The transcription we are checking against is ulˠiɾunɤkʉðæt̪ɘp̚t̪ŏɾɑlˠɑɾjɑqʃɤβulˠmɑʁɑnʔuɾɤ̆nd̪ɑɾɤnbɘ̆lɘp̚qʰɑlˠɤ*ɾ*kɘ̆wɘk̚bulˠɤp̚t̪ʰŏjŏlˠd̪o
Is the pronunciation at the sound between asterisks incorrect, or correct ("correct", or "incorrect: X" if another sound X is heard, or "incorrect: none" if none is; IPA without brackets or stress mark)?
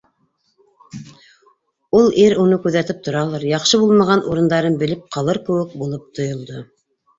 correct